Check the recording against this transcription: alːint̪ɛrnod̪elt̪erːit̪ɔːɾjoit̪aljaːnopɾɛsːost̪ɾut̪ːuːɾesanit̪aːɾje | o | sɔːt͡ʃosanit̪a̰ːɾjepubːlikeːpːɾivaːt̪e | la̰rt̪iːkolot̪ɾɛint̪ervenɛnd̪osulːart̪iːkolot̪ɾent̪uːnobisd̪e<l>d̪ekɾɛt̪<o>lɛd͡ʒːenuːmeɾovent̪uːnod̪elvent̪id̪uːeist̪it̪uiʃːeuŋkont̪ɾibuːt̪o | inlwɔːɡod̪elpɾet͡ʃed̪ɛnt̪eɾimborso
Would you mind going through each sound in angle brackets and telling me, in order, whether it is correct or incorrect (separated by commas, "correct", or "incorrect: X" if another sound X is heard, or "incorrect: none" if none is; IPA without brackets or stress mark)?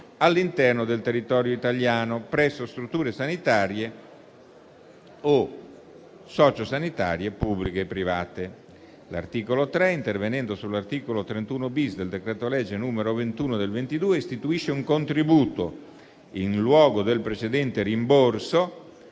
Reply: correct, correct